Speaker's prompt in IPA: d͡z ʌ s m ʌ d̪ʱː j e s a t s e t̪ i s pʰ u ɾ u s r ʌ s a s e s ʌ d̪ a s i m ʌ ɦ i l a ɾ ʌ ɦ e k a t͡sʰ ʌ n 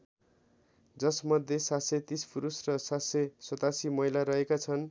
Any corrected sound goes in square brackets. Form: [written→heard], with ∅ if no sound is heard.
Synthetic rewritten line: d͡z ʌ s m ʌ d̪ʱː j e s a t s e t̪ i s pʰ u ɾ u s r ʌ s a s e s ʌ [d̪→t̪] a s i m ʌ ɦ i l a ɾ ʌ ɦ e k a t͡sʰ ʌ n